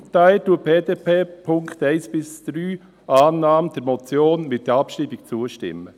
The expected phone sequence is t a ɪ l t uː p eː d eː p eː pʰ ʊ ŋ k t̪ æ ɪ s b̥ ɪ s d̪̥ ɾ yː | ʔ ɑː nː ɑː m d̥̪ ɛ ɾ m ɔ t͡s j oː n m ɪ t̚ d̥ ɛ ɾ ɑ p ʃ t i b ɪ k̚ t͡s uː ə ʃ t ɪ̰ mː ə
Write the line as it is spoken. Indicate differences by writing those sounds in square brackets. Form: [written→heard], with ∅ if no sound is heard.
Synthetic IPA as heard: t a ɪ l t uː p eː d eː p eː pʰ ʊ ŋ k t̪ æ ɪ s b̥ ɪ s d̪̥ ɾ yː | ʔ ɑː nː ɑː m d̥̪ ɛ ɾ m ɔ t͡s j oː n m ɪ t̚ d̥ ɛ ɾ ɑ p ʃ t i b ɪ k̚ t͡s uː ə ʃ t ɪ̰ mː ə